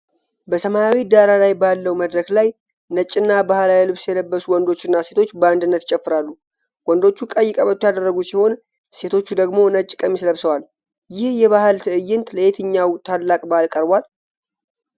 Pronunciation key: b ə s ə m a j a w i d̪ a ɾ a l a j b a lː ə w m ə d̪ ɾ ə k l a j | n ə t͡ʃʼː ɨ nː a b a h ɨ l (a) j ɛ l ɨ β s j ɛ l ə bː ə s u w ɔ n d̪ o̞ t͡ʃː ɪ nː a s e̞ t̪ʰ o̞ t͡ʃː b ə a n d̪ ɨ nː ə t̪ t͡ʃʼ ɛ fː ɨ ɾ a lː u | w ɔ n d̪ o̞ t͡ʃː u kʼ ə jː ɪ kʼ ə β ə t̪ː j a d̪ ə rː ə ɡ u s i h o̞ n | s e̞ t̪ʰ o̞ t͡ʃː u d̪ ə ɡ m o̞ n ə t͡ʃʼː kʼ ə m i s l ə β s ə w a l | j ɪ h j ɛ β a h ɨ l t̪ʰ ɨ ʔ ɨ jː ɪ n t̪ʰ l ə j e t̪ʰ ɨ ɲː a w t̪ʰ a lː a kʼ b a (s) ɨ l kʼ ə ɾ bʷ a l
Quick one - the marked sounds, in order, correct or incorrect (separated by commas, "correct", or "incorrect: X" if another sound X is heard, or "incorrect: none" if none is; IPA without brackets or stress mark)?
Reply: correct, incorrect: h